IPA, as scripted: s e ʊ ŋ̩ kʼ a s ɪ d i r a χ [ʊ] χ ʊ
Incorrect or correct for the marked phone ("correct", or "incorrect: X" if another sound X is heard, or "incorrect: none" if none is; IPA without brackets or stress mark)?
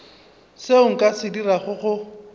correct